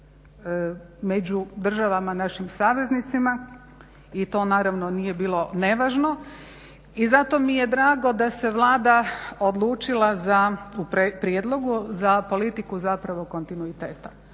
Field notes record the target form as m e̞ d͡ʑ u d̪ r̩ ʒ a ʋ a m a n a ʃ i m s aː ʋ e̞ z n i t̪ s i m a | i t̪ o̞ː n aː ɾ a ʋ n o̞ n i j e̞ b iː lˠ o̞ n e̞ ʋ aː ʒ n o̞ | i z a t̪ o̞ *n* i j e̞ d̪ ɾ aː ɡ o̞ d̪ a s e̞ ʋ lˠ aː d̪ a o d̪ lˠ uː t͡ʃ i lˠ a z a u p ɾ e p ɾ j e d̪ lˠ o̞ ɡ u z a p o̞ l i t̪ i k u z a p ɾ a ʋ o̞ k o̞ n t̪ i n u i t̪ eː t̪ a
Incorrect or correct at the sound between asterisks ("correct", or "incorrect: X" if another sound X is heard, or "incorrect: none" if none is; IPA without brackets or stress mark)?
incorrect: m